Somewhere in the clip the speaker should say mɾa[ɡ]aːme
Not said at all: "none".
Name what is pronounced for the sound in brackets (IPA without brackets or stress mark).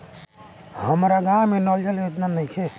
ɡ